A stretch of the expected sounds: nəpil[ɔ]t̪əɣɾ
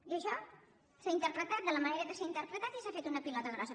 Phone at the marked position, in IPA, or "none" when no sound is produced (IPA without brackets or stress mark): ɔ